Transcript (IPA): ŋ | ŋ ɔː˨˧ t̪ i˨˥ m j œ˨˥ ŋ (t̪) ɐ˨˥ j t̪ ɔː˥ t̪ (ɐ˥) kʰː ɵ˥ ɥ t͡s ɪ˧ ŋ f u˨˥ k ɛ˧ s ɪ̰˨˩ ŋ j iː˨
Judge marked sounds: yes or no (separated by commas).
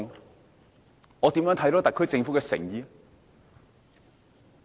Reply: no, no